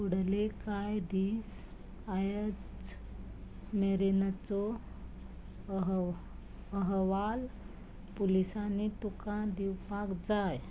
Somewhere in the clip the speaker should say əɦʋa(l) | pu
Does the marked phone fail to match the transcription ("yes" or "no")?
no